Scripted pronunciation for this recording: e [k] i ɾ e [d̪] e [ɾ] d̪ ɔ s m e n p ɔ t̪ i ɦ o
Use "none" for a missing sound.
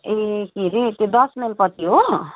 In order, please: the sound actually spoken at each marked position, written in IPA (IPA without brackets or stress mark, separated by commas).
k, t̪, none